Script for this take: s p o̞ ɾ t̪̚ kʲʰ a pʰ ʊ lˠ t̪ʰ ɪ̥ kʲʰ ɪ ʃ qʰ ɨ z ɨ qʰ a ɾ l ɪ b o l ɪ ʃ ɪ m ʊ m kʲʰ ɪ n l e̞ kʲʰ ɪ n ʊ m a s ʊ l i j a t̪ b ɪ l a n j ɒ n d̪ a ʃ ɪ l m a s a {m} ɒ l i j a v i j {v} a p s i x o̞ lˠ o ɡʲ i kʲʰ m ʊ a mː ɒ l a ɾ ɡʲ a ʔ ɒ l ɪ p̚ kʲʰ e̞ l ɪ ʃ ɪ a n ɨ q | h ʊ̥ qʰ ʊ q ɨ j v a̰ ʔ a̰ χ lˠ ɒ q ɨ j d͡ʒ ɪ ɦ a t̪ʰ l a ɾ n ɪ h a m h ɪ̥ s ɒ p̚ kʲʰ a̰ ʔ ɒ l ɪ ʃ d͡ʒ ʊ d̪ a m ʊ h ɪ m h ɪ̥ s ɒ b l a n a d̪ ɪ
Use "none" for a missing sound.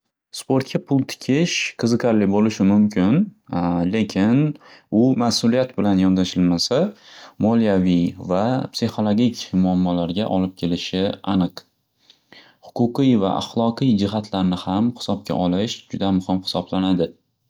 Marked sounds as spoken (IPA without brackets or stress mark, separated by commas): m, v